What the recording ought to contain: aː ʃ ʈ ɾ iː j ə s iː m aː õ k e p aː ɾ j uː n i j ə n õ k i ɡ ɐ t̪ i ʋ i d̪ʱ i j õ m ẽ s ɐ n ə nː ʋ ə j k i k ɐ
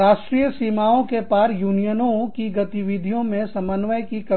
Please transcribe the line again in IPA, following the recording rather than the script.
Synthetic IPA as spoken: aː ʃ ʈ ɾ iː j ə s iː m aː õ k e p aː ɾ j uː n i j ə n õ k i ɡ ɐ t̪ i ʋ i d̪ʱ i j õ m ẽ s ɐ m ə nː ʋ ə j k i k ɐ